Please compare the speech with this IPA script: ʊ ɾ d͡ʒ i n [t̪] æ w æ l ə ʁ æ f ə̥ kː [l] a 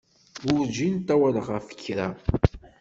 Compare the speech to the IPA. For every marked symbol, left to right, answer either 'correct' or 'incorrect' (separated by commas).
correct, incorrect